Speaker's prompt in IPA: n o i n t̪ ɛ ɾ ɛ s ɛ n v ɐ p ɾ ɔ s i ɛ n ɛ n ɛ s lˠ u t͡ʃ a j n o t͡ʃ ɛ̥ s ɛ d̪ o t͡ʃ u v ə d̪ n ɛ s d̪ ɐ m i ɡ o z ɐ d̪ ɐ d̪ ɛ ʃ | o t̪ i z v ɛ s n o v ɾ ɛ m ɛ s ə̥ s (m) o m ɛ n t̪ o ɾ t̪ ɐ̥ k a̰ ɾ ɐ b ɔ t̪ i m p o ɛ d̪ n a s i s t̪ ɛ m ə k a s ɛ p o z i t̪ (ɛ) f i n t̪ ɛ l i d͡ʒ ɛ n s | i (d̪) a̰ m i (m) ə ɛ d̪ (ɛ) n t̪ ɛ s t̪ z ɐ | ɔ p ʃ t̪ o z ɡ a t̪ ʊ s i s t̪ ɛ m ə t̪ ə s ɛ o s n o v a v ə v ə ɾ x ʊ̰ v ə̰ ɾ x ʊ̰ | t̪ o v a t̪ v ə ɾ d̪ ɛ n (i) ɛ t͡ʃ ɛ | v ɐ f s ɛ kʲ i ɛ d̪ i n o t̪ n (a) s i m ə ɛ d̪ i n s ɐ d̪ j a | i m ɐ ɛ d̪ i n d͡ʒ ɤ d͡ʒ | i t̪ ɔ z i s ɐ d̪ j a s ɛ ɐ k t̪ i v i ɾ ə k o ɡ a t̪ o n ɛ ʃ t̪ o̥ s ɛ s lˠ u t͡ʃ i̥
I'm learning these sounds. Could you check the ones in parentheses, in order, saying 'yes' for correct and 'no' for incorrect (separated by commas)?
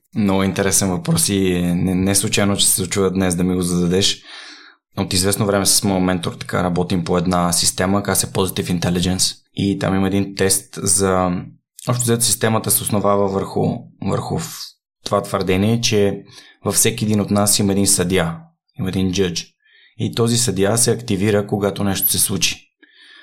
yes, no, no, yes, no, yes, yes